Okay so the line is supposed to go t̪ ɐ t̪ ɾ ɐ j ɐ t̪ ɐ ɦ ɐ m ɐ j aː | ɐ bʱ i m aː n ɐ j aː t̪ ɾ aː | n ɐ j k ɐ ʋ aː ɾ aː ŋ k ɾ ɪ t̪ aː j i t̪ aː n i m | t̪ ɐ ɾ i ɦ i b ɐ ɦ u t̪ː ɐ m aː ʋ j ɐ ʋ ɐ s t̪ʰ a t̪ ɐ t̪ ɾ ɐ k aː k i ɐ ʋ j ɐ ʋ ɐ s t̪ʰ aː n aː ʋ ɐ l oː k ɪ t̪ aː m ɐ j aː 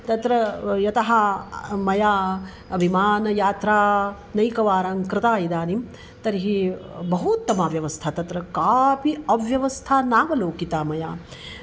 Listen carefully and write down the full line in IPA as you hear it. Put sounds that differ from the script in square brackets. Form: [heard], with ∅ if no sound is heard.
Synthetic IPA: t̪ ɐ t̪ ɾ ɐ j ɐ t̪ ɐ ɦ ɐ m ɐ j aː | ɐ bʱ i m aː n ɐ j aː t̪ ɾ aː | n ɐ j k ɐ ʋ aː ɾ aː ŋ k ɾ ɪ t̪ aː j i [d̪] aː n i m | t̪ ɐ ɾ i ɦ i b ɐ ɦ u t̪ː ɐ m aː ʋ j ɐ ʋ ɐ s t̪ʰ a t̪ ɐ t̪ ɾ ɐ k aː [p] i ɐ ʋ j ɐ ʋ ɐ s t̪ʰ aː n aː ʋ ɐ l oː k [i] t̪ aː m ɐ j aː